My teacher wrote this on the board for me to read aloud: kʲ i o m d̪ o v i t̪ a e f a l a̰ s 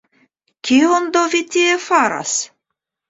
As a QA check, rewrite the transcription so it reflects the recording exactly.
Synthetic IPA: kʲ i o n d̪ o v i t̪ i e f a ɾ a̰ s